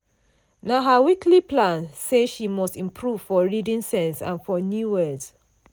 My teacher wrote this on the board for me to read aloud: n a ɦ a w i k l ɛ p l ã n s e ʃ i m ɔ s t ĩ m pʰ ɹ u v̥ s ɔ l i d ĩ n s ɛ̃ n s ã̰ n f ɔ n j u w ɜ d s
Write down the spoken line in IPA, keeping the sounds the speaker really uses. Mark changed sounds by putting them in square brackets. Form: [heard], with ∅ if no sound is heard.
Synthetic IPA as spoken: n a ɦ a w i k l [i] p l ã n s e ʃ i m ɔ s t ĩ m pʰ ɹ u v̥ [f] ɔ [ɹ] i d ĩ n s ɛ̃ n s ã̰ n f ɔ n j u w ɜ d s